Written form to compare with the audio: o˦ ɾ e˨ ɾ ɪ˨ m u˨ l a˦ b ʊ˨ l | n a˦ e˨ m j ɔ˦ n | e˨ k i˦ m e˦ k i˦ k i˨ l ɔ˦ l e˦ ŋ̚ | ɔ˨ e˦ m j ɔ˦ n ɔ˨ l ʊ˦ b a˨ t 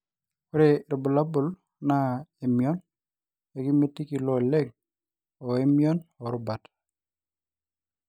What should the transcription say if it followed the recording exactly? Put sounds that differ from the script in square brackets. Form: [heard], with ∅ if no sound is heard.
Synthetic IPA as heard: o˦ ɾ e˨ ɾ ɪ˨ [b] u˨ l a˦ b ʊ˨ l | n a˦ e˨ m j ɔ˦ n | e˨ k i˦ m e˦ [t] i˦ k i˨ l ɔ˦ l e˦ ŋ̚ | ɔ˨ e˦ m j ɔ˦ n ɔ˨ [ɾ] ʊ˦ b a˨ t